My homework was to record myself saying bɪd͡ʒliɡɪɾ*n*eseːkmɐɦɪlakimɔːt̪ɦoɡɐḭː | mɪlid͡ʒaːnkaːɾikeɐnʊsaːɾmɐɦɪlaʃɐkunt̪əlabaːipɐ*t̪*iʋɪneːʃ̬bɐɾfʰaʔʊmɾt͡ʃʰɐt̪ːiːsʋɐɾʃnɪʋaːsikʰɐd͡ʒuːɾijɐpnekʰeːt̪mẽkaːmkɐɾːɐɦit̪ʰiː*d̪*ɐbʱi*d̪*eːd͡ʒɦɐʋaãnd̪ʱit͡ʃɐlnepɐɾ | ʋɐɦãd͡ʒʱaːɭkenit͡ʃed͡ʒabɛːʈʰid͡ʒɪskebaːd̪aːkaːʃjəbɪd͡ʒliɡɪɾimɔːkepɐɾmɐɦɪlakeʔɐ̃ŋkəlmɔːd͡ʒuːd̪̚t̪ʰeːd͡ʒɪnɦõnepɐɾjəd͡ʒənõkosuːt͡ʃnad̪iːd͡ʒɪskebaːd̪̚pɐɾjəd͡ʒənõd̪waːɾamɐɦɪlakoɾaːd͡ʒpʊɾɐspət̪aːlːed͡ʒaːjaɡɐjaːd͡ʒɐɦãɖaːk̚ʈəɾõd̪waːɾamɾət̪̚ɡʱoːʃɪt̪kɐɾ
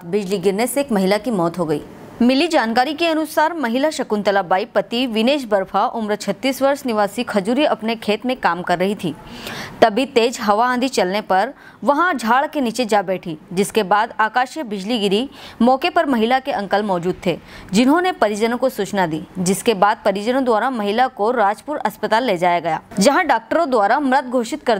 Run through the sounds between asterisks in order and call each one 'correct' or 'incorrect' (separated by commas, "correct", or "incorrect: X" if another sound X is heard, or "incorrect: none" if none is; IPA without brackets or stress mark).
correct, correct, incorrect: t̪, incorrect: t̪